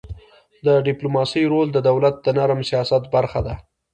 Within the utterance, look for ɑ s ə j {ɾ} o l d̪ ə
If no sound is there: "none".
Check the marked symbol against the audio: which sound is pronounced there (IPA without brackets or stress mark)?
ɾ